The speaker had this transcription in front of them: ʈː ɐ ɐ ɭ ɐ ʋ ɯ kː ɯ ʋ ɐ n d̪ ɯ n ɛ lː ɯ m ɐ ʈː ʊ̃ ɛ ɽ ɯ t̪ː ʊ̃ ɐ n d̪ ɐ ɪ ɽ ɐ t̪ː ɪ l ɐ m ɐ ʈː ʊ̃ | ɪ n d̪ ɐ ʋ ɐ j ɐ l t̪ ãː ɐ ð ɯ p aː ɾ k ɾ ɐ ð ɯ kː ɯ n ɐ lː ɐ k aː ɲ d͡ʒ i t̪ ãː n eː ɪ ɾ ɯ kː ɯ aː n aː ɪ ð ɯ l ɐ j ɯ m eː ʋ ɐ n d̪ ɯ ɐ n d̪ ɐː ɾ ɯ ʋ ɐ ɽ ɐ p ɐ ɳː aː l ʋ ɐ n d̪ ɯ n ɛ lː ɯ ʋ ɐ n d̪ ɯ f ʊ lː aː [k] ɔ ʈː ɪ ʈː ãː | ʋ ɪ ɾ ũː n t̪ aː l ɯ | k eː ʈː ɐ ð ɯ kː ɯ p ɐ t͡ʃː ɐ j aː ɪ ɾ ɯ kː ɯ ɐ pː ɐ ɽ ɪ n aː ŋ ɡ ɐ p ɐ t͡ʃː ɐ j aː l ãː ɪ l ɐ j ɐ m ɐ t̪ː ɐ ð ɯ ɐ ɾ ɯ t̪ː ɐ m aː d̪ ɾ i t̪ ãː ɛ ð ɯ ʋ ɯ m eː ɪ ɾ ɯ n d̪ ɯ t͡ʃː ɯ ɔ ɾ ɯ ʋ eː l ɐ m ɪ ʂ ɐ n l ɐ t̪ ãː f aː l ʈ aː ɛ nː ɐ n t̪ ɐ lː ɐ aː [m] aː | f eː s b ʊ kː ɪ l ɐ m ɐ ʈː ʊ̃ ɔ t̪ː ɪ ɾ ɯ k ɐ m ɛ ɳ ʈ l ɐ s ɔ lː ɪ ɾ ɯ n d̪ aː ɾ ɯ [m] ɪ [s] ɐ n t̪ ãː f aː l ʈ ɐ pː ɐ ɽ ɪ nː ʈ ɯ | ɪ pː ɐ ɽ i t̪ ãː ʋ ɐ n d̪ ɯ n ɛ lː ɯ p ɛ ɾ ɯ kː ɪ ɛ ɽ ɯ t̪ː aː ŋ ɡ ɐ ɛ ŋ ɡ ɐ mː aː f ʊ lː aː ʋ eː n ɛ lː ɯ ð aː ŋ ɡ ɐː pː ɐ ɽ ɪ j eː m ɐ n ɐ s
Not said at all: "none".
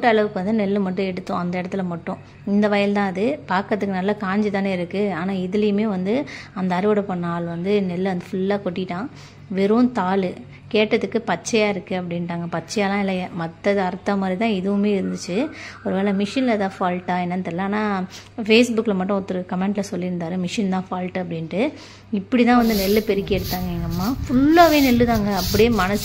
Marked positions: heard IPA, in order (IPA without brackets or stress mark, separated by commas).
k, n, m, ʂ